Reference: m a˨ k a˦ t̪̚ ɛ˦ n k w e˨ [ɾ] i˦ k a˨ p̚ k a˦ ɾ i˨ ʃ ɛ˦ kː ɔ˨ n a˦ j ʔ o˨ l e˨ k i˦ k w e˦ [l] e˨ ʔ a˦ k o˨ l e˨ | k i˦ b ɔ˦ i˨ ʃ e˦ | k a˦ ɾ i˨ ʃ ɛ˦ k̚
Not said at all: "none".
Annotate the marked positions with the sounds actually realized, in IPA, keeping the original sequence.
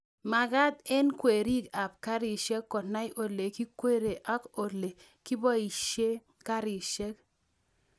ɾ, ɾ

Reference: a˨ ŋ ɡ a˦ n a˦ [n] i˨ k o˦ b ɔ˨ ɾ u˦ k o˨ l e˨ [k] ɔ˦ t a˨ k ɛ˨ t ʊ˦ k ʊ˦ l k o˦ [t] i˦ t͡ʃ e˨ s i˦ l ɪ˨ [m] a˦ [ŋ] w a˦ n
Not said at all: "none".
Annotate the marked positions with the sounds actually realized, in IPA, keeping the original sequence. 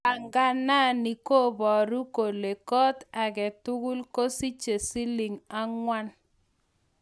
n, k, s, ŋ, ŋ

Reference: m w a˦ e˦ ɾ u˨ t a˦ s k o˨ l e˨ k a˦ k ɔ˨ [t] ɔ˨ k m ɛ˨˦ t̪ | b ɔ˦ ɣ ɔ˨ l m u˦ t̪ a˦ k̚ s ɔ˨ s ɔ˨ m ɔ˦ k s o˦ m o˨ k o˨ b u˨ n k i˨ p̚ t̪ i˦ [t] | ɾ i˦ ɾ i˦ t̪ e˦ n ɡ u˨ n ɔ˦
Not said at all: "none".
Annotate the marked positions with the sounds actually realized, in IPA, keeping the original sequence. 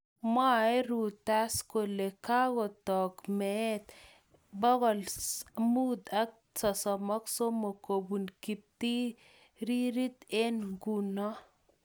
t, none

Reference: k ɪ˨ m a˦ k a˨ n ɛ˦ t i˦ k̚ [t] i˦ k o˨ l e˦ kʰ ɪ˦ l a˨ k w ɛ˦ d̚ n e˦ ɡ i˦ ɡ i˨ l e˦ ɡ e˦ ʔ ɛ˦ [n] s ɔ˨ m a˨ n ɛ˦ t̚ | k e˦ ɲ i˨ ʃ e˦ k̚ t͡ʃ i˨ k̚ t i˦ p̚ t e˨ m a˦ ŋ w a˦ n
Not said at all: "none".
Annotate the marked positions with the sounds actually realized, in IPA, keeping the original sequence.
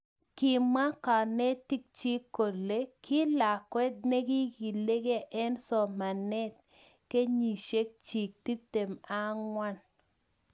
t͡ʃ, n

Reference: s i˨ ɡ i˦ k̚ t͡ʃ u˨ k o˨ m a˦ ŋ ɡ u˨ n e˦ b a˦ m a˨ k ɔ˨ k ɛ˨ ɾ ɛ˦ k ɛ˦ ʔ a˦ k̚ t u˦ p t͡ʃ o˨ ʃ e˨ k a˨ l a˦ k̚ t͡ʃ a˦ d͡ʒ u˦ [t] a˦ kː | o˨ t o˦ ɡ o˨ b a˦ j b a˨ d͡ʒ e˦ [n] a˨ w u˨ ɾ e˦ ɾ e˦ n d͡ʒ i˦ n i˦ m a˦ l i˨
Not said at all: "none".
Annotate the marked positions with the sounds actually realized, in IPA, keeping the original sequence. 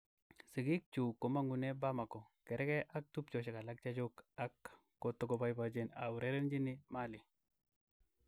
k, n

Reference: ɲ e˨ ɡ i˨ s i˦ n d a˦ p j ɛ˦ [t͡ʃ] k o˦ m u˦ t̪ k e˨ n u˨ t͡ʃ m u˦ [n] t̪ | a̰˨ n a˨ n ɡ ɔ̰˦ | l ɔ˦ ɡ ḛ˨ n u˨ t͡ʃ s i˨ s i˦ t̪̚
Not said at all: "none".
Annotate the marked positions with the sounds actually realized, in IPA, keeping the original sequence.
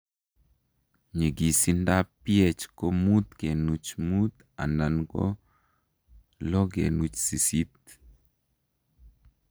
t͡ʃ, none

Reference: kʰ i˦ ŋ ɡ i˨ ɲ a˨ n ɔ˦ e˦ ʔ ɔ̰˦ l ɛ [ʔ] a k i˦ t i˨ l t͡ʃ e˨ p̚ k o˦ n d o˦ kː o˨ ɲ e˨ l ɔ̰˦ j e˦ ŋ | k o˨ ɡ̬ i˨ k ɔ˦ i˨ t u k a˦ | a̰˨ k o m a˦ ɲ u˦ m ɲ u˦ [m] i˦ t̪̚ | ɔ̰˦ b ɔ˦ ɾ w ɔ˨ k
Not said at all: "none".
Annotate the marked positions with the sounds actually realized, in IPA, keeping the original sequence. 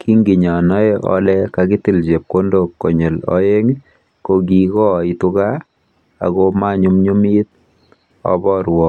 k, m

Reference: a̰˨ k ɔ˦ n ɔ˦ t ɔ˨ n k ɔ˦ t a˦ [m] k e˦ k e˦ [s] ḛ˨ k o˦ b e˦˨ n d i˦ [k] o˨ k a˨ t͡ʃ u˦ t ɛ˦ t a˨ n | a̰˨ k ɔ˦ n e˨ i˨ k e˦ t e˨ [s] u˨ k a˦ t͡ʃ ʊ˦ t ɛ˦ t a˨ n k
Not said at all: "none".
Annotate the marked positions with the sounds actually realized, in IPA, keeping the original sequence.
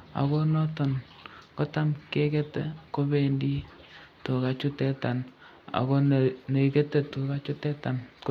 m, t, t, t

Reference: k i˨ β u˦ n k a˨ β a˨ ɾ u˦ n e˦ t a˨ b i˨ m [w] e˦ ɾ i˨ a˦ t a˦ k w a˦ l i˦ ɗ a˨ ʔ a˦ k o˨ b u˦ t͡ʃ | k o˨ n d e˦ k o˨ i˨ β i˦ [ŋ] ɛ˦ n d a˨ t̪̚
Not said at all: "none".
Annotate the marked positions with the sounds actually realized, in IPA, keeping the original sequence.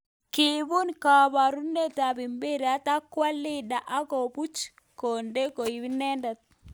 b, n

